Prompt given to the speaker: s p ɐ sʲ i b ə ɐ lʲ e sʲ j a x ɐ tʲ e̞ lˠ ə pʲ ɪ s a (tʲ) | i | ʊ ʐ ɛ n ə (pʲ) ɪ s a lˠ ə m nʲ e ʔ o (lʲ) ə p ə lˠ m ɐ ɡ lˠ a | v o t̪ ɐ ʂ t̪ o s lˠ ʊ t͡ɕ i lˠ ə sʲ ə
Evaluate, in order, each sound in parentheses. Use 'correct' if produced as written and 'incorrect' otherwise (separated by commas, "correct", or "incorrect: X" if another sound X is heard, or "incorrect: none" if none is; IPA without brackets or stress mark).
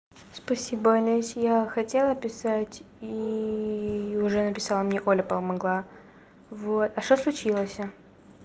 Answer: correct, correct, correct